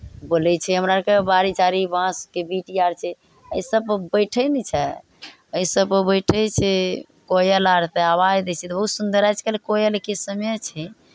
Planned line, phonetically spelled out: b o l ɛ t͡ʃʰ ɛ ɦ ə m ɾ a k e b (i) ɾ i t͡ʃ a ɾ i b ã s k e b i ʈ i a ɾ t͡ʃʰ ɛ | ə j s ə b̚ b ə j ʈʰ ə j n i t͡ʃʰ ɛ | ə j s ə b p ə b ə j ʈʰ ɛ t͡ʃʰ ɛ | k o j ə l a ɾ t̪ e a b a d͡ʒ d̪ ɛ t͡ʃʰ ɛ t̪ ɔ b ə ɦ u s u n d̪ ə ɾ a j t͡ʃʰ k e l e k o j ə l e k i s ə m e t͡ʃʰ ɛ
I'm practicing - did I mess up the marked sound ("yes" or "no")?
yes